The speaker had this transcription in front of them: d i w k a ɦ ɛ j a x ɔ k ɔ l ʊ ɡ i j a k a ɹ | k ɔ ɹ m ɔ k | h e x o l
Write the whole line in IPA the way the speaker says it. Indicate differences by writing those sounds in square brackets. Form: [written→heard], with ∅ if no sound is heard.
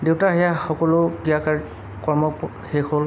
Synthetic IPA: d [i→e] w [k→t] a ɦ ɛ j a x ɔ k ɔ l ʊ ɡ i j a k a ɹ | k ɔ ɹ m ɔ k | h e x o l